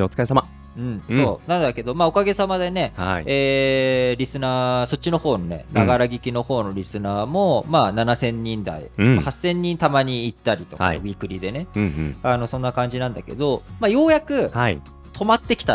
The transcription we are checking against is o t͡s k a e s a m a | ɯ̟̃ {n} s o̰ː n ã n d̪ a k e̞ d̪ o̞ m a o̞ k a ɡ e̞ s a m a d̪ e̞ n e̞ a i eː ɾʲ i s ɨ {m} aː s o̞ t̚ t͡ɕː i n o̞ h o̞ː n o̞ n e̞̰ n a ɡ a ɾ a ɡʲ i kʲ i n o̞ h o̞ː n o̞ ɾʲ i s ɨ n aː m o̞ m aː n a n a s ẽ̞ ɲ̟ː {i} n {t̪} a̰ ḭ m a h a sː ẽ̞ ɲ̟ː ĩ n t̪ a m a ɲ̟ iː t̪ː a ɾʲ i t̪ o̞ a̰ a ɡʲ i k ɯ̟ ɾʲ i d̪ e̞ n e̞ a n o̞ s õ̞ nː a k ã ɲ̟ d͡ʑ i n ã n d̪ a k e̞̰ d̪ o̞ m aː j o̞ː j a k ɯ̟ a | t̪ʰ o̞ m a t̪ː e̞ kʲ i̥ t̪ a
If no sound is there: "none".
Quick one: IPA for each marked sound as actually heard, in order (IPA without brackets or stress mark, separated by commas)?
ɴ, n, ĩ, d̪